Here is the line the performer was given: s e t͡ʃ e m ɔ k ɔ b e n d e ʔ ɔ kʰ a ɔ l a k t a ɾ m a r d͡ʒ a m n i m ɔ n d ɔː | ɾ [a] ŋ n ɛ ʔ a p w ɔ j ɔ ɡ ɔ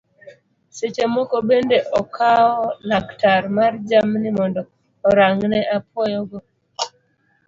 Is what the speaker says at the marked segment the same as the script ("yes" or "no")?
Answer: yes